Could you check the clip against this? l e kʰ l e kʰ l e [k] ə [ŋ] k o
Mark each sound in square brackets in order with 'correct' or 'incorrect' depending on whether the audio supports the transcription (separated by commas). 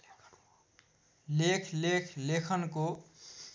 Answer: incorrect, incorrect